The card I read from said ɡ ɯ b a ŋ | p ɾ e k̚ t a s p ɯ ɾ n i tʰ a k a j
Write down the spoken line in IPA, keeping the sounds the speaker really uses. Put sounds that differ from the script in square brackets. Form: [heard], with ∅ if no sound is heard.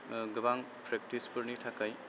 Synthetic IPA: ɡ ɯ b a ŋ | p ɾ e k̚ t [i] s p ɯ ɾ n i tʰ a k a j